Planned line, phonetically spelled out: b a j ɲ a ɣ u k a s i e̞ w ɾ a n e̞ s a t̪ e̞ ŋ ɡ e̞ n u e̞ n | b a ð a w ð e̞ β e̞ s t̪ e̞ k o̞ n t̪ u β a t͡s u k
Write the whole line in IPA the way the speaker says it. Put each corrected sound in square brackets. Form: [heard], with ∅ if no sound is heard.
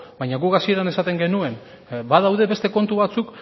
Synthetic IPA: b a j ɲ a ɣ u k a s i e̞ [∅] ɾ a n e̞ s a t̪ e̞ ŋ ɡ e̞ n u e̞ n | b a ð a w ð e̞ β e̞ s t̪ e̞ k o̞ n t̪ u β a t͡s u k